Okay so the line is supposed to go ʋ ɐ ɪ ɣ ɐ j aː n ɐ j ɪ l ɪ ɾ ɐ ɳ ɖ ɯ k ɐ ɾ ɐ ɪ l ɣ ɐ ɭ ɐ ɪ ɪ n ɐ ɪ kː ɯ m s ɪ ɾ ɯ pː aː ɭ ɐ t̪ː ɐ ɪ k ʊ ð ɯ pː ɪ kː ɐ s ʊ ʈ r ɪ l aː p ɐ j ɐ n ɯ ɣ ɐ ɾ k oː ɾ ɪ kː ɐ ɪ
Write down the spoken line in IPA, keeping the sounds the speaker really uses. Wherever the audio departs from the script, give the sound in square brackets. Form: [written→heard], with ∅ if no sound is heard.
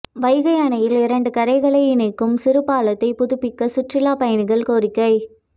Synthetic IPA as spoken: ʋ ɐ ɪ ɣ ɐ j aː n ɐ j ɪ l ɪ ɾ ɐ ɳ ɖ ɯ k ɐ ɾ ɐ ɪ [l→∅] ɣ ɐ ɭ ɐ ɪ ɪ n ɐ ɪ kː ɯ m s ɪ ɾ ɯ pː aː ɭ ɐ t̪ː ɐ ɪ [k→p] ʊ ð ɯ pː ɪ kː ɐ s ʊ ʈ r ɪ l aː p ɐ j ɐ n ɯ ɣ ɐ [ɾ→ɭ] k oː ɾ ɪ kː ɐ ɪ